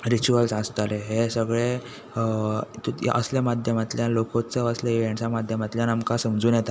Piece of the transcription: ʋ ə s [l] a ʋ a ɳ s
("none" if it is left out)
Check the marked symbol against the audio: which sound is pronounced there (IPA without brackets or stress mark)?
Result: l